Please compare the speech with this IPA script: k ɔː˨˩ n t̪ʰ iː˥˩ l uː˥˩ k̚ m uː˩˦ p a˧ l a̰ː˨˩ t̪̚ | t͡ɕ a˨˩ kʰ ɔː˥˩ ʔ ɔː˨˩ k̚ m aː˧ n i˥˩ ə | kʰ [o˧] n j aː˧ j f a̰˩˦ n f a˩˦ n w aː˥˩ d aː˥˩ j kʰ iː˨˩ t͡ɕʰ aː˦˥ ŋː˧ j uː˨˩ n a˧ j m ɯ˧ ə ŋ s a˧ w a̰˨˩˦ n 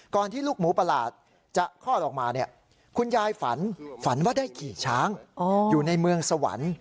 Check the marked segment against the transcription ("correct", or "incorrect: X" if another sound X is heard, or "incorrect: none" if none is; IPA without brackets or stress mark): incorrect: u˧